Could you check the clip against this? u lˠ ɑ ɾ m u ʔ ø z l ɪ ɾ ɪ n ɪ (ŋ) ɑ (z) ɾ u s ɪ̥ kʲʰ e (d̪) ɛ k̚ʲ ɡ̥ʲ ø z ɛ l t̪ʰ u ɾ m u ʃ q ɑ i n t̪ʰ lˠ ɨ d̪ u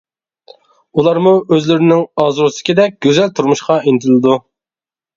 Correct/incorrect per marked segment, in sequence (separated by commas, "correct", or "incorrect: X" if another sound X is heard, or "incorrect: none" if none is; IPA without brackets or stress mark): correct, correct, correct